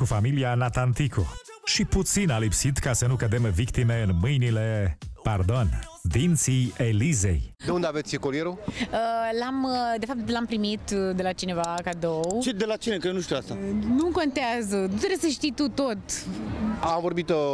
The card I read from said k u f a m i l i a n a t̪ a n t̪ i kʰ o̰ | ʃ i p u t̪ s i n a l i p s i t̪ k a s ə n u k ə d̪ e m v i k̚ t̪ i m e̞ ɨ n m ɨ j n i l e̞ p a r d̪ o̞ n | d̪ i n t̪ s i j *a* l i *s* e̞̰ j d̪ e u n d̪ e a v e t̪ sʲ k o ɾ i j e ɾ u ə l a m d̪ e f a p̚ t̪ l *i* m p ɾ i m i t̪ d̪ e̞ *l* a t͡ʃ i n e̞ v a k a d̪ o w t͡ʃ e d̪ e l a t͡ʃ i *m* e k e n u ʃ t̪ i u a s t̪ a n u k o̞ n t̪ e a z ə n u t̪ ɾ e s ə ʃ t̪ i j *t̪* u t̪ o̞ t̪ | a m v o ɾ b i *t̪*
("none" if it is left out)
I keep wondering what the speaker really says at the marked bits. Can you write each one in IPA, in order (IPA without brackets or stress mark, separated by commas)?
e, z, a, l, n, t̪, t̪